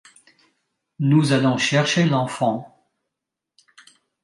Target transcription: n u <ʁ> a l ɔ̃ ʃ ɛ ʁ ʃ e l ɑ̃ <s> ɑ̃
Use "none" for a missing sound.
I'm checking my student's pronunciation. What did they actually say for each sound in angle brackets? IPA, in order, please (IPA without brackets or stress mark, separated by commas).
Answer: z, f